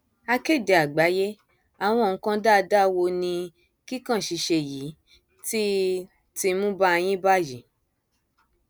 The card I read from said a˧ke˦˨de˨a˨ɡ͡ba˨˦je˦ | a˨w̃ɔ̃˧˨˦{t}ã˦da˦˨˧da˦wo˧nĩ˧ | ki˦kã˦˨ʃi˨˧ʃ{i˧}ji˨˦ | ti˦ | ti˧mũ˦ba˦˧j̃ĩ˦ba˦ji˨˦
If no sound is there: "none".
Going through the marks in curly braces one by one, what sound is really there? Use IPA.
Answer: k, e˧

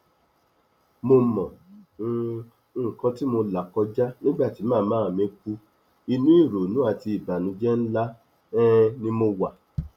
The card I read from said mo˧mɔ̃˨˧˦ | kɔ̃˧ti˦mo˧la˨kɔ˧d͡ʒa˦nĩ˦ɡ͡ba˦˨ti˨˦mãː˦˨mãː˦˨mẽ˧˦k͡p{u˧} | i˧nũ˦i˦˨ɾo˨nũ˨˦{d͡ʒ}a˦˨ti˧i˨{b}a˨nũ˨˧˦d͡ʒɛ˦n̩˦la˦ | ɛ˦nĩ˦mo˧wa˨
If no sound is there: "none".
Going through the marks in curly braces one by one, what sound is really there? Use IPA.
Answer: u˧, none, b

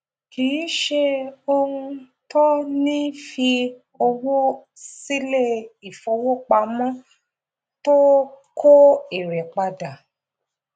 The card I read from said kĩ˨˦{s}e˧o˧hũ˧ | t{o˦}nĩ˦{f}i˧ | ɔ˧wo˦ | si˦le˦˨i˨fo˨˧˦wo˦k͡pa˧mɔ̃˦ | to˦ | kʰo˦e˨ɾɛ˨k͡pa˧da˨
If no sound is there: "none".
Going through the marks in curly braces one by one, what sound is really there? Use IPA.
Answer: ʃ, ɔ˦, f

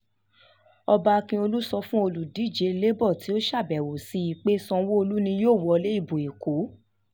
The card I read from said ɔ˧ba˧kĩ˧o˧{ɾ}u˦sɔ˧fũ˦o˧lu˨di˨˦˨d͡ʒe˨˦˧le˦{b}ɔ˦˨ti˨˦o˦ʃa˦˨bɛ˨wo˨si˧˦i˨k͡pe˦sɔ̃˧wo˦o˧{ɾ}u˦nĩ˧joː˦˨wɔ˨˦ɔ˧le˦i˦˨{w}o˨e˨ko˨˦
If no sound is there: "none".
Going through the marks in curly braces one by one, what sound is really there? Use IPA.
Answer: l, b, l, b

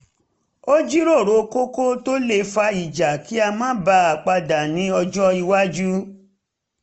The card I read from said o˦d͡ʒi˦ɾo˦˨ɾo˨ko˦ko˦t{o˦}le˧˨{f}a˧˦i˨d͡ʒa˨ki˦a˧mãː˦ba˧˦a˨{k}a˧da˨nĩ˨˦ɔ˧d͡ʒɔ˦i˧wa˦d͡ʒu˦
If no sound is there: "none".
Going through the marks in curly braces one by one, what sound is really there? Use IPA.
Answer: o˦, f, k͡p

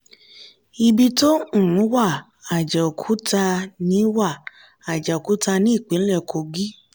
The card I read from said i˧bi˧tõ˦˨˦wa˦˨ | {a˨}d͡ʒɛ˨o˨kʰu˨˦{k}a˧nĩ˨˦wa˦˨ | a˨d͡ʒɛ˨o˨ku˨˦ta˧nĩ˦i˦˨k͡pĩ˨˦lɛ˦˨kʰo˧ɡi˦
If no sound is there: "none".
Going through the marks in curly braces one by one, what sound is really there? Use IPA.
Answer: a˨, t

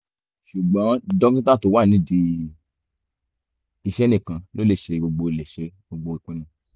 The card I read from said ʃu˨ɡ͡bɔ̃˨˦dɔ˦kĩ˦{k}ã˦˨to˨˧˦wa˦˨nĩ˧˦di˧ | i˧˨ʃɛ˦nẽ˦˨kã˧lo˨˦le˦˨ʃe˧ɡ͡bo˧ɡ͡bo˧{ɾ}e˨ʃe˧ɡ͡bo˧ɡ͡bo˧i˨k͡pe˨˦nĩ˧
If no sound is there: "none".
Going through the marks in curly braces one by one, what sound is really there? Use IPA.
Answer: t, l

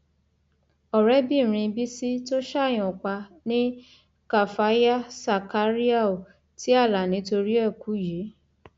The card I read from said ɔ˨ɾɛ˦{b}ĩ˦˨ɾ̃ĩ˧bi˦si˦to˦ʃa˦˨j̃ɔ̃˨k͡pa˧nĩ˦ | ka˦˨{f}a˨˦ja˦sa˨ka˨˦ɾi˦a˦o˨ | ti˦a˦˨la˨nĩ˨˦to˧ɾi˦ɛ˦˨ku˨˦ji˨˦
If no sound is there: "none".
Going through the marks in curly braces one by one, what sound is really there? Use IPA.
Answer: b, f

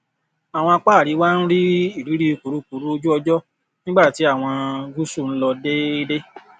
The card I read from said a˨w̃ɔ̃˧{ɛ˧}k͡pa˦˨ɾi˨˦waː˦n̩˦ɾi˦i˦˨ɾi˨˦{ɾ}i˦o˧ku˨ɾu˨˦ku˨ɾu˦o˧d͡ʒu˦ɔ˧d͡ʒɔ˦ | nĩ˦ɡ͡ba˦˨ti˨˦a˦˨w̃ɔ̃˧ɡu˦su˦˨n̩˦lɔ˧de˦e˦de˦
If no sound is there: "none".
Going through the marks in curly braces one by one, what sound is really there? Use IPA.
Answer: a˧, ɾ

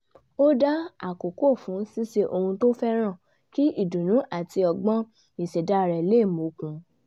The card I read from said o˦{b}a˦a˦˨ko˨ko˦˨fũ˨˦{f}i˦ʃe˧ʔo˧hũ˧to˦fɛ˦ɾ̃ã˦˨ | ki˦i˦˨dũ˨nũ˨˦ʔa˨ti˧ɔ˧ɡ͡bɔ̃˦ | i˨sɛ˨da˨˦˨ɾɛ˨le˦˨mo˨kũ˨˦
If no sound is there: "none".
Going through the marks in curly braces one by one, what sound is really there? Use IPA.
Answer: d, s

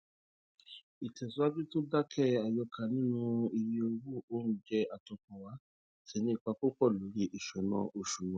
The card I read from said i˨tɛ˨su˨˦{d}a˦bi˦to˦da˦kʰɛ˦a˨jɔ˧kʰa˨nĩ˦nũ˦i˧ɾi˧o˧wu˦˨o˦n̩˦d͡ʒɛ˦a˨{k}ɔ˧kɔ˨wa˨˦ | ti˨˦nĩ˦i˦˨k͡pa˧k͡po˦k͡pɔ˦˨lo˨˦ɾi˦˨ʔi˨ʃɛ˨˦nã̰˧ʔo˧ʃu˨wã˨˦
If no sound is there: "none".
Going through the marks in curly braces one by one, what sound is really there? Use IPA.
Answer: none, t

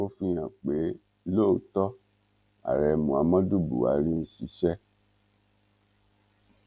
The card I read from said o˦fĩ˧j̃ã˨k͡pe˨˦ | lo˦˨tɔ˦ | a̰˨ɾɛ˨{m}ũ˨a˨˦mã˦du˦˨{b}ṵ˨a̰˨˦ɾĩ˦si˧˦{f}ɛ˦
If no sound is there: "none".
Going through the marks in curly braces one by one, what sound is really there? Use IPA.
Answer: m, b, ʃ

